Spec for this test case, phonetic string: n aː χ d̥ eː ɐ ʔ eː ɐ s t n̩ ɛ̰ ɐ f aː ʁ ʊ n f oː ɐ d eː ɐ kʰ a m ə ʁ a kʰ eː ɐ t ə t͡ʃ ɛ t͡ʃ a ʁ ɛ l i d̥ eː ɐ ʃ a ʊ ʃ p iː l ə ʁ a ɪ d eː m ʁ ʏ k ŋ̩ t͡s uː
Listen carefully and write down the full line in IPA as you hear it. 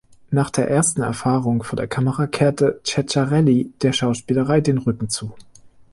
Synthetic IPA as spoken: n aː χ d̥ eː ɐ ʔ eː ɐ s t n̩ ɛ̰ ɐ f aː ʁ ʊ ŋ f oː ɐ d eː ɐ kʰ a m ə ʁ a kʰ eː ɐ t ə t͡ʃ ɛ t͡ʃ a ʁ ɛ l i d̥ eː ɐ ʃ a ʊ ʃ p iː l ə ʁ a ɪ d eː n ʁ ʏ k ŋ̩ t͡s uː